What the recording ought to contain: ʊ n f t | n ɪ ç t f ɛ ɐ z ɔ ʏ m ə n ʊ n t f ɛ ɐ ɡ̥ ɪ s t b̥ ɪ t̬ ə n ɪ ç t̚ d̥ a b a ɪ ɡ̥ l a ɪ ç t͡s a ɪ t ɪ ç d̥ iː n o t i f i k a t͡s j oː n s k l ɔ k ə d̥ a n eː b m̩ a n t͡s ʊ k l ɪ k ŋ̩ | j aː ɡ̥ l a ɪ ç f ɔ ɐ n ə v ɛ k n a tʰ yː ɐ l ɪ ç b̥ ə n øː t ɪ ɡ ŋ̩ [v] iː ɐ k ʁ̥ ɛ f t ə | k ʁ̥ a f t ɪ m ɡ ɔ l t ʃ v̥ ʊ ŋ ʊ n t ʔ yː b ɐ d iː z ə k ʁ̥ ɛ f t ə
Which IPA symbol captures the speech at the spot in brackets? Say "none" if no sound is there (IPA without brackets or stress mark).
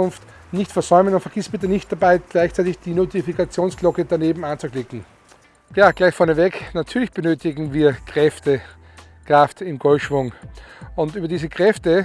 v